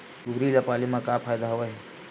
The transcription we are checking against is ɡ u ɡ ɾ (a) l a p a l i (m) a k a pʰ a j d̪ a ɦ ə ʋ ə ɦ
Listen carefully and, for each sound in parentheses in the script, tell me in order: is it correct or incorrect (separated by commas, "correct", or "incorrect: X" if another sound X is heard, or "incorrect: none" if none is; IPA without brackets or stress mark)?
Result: incorrect: i, correct